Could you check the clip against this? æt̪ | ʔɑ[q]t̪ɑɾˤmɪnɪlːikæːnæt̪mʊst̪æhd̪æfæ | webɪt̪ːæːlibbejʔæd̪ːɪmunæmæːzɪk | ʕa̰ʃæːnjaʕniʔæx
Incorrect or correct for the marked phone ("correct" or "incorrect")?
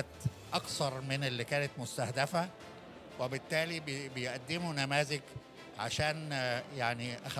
incorrect